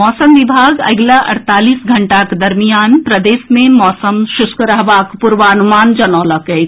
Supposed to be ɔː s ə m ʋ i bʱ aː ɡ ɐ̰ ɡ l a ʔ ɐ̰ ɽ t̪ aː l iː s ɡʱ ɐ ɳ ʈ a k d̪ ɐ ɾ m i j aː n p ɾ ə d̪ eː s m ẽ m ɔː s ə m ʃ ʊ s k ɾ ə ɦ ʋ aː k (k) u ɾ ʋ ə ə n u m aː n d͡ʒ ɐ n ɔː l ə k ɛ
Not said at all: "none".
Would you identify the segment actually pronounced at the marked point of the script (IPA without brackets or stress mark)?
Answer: p